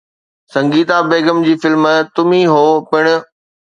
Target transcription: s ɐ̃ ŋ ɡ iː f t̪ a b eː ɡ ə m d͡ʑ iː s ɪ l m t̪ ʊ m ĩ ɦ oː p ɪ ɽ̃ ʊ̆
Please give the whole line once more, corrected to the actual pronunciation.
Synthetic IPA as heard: s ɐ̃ ŋ ɡ iː t̪ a b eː ɡ ə m d͡ʑ iː f ɪ l m t̪ ʊ m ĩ ɦ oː p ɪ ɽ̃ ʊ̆